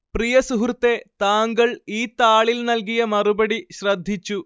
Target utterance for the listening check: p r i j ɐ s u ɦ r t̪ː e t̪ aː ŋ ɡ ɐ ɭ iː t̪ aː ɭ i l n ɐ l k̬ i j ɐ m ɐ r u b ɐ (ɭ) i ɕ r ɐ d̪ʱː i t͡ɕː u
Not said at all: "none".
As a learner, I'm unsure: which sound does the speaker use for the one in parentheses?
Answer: ɽ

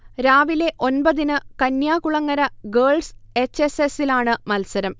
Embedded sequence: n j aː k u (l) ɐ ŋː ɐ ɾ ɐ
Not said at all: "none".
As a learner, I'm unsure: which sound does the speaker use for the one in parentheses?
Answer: ɭ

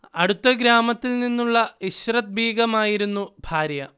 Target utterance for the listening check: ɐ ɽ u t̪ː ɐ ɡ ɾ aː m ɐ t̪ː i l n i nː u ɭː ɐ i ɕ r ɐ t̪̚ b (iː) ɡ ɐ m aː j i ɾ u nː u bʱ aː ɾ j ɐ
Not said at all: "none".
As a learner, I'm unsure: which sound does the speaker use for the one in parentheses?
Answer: iː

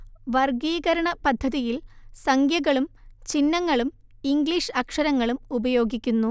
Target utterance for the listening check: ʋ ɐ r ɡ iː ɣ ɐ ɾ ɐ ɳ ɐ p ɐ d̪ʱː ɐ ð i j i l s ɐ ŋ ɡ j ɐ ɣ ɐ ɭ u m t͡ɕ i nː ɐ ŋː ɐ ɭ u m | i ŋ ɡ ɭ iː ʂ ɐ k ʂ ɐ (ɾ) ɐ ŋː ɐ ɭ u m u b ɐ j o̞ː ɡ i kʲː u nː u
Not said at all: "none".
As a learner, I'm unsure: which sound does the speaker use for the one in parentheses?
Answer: ɾ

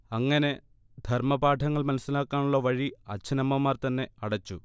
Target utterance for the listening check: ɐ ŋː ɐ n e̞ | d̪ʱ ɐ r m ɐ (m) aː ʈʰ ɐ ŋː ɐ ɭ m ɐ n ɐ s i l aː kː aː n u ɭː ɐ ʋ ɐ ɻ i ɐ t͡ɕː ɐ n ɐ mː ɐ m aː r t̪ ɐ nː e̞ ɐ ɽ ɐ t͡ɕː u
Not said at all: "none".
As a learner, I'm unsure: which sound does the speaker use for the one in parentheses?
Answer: b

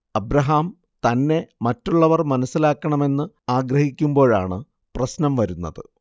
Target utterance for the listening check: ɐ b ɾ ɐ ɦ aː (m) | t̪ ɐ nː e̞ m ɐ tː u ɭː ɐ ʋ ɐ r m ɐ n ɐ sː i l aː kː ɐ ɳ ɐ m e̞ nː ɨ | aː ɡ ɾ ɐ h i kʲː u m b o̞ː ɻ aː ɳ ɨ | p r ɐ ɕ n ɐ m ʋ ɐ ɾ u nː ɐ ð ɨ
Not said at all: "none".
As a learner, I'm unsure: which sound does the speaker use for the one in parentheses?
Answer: m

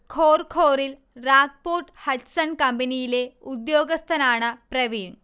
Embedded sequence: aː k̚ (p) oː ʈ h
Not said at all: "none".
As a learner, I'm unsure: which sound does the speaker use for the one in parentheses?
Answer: p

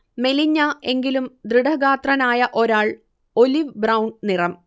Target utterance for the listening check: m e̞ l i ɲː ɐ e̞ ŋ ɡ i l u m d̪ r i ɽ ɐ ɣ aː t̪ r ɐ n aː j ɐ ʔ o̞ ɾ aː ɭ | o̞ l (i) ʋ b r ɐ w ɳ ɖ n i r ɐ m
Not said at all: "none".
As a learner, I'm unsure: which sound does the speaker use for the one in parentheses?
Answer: i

